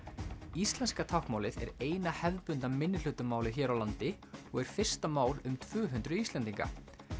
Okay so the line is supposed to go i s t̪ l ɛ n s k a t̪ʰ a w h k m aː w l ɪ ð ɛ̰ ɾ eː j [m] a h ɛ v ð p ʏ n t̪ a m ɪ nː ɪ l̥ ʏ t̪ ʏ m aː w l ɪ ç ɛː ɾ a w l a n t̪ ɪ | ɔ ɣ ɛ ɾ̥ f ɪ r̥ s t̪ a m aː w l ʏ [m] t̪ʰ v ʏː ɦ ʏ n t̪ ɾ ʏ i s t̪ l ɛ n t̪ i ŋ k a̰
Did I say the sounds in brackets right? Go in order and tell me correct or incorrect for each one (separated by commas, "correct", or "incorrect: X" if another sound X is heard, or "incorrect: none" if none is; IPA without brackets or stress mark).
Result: incorrect: n, correct